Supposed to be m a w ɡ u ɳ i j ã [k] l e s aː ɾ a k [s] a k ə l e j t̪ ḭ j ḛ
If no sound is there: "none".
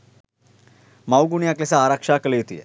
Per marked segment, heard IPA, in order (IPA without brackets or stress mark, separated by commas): k, ʂ